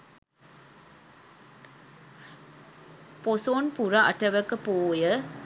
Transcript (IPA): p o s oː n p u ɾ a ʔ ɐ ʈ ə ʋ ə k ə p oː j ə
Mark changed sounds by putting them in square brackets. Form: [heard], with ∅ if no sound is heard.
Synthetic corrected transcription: p o s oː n p u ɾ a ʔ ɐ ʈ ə ʋ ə k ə p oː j ə